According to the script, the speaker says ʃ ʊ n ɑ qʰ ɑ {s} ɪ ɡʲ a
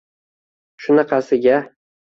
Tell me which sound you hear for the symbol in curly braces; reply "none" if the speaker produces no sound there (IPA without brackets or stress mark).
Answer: s